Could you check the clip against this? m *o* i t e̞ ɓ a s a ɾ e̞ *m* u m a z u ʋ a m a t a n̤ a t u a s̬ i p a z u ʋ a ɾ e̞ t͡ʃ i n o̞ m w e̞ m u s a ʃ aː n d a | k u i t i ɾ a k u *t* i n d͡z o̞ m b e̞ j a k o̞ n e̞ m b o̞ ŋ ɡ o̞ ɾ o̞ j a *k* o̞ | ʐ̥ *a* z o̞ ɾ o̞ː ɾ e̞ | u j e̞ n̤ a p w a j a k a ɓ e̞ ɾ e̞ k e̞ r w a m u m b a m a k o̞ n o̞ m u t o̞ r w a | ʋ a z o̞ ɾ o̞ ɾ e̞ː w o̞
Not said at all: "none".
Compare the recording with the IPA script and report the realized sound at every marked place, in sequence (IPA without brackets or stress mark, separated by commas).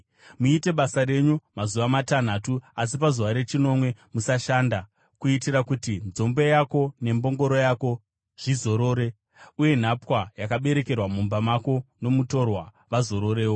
u, ɲ, t, k, i